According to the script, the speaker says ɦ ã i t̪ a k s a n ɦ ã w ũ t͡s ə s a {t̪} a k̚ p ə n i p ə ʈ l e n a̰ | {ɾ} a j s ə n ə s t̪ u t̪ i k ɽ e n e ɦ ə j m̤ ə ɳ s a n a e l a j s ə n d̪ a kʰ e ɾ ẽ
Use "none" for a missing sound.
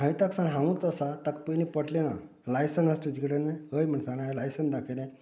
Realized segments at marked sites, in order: t̪, l

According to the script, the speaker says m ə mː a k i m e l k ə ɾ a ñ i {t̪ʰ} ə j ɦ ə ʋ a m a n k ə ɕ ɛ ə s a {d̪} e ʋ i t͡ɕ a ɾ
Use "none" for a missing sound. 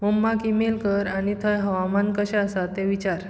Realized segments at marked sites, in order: t̪ʰ, t̪

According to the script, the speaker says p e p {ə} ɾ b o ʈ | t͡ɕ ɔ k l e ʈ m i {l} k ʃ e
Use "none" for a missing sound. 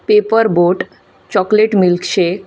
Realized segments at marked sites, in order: ə, l

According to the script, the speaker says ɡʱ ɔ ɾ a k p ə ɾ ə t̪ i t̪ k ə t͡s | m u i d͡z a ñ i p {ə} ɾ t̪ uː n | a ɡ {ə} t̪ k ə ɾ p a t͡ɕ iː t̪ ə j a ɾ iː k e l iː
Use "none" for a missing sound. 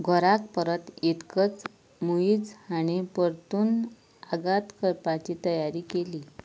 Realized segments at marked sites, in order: ə, a

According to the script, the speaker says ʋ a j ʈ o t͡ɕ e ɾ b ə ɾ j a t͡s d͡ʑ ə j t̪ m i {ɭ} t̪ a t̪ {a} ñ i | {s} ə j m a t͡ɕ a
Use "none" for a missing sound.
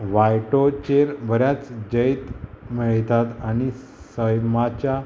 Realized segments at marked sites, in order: ɭ, a, s

